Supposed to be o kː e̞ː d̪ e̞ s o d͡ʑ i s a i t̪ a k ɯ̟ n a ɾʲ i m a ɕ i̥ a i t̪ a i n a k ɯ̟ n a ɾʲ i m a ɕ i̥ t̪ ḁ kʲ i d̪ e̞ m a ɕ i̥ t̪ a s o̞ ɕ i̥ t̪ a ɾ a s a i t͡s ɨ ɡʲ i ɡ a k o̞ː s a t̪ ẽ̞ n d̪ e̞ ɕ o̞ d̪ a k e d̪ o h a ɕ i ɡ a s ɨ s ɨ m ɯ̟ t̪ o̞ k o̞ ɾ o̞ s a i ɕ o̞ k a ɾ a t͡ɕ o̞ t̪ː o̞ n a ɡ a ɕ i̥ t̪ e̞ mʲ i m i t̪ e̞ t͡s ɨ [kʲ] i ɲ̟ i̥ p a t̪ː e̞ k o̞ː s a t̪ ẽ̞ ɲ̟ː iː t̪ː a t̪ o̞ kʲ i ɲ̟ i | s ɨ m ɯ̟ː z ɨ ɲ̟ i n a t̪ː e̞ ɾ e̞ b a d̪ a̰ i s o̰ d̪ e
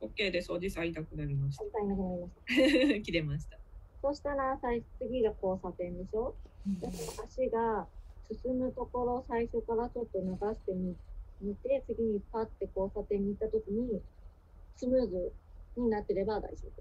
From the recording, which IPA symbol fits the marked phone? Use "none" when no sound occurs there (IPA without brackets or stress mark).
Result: ɡʲ